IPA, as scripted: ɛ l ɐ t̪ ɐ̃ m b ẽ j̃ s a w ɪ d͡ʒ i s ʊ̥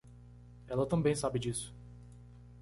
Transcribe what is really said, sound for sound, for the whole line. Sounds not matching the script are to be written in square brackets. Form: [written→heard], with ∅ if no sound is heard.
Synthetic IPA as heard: ɛ l ɐ t̪ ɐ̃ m b ẽ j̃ s a [w→b] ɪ d͡ʒ i s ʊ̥